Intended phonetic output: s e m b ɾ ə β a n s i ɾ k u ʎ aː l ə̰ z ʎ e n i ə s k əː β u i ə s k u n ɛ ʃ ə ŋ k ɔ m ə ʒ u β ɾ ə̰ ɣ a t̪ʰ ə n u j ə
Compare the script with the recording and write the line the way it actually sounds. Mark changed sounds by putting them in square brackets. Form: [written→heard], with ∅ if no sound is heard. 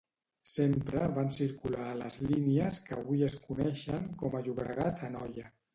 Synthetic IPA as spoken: s e m [b→p] ɾ ə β a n s i ɾ k u [ʎ→l] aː l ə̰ z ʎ [e→i] n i ə s k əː β u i ə s k u n ɛ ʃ ə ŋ k ɔ m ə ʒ u β ɾ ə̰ ɣ a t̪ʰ ə n [u→ɔ] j ə